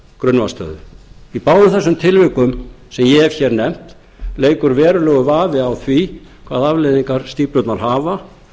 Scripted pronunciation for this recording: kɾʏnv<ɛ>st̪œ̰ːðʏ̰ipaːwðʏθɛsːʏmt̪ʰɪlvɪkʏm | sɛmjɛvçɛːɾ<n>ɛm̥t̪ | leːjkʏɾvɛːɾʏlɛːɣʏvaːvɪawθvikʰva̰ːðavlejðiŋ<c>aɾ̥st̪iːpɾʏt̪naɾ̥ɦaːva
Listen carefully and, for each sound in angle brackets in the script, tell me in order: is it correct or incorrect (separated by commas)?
incorrect, correct, incorrect